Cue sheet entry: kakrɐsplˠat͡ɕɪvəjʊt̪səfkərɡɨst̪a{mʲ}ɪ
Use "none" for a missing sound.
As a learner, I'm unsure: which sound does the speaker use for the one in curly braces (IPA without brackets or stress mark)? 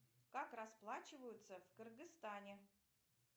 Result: nʲ